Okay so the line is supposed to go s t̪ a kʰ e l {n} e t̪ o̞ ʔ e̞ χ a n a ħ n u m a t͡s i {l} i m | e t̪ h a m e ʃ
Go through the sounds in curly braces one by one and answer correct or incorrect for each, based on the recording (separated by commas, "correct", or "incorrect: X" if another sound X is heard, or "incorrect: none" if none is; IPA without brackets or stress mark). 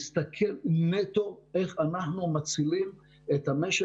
correct, correct